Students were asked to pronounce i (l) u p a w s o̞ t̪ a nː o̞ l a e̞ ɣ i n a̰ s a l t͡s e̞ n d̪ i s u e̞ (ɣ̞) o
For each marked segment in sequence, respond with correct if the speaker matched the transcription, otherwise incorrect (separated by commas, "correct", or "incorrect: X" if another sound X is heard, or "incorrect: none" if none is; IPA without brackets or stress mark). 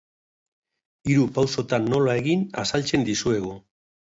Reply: incorrect: ɾ, correct